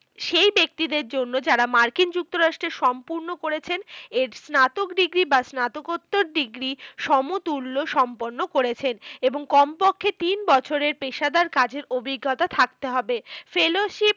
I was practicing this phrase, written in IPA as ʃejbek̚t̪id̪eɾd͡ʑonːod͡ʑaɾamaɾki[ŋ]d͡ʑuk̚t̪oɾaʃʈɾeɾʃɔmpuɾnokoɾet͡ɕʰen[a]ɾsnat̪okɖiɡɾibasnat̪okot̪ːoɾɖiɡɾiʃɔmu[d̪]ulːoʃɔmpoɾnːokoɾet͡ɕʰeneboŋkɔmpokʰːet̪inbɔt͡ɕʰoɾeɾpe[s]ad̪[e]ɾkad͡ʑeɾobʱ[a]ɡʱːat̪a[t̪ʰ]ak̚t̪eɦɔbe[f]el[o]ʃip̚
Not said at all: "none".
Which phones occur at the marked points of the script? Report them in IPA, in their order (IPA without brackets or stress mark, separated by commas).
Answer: n, e, t̪, ʃ, a, i, t̪ʰ, f, o